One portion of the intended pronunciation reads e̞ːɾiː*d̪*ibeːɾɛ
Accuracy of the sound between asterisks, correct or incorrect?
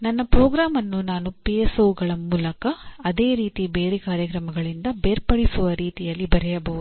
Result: incorrect